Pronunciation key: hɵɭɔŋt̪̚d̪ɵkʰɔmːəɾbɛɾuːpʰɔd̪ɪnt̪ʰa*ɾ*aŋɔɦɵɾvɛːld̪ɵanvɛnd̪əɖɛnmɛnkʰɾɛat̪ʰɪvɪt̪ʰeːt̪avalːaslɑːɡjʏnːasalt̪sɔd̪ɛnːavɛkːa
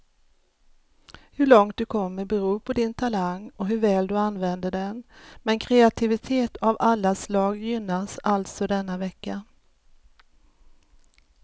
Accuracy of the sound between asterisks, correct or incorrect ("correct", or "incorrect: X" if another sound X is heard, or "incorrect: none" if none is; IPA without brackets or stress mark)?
incorrect: l